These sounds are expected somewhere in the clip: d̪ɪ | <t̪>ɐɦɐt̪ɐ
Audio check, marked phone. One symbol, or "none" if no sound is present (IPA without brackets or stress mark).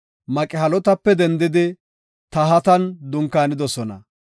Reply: t̪